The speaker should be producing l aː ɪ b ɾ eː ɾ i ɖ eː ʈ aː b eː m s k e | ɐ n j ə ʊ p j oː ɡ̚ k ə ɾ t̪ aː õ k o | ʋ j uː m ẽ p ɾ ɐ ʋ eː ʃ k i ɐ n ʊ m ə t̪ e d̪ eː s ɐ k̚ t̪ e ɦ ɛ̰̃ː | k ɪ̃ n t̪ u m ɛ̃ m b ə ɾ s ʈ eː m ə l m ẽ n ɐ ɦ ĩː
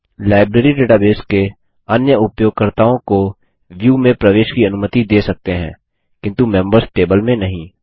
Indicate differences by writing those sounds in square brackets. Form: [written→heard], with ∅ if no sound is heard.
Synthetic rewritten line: l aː ɪ b ɾ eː ɾ i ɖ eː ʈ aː b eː [m→∅] s k e | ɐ n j ə ʊ p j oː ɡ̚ k ə ɾ t̪ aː õ k o | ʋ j uː m ẽ p ɾ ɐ ʋ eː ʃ k i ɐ n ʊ m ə t̪ [e→i] d̪ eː s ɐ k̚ t̪ e ɦ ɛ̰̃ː | k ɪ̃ n t̪ u m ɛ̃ m b ə ɾ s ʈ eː [m→b] ə l m ẽ n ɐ ɦ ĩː